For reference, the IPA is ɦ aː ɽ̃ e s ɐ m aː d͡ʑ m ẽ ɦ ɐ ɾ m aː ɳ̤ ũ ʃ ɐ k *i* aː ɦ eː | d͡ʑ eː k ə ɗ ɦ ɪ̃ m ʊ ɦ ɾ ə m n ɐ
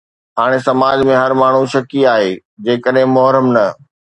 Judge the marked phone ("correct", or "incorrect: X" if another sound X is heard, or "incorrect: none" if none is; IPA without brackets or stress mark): correct